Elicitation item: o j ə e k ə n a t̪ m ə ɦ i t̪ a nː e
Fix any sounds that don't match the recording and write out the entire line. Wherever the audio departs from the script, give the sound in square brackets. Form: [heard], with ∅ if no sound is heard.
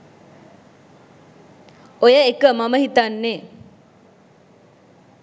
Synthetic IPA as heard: o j ə e k ə [m] a [∅] m ə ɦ i t̪ a nː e